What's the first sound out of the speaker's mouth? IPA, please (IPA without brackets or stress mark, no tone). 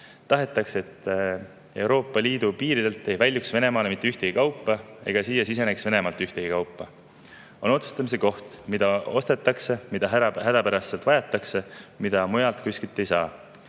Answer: t̪